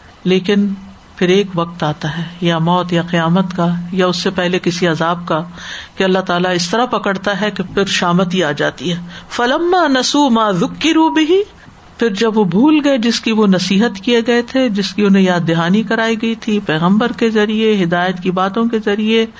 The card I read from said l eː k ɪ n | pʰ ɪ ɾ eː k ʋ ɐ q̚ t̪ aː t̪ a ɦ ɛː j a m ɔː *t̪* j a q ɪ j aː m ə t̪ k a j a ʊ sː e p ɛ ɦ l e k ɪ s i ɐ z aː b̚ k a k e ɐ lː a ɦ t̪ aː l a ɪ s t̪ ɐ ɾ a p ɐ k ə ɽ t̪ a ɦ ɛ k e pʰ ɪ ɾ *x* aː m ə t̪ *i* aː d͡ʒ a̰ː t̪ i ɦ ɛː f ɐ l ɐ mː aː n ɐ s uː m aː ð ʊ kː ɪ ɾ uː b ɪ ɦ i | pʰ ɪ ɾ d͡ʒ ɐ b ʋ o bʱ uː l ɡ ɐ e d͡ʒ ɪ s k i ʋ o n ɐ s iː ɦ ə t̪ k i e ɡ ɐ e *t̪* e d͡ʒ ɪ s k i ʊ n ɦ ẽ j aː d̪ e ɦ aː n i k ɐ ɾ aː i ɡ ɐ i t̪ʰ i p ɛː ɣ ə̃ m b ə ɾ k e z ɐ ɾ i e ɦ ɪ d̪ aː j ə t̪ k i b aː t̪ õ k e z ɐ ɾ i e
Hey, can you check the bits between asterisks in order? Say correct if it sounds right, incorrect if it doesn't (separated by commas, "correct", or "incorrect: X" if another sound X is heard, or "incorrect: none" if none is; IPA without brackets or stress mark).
correct, incorrect: ʃ, correct, incorrect: t̪ʰ